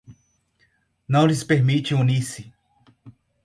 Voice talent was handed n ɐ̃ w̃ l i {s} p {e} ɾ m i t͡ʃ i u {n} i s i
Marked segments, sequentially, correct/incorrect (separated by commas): correct, correct, correct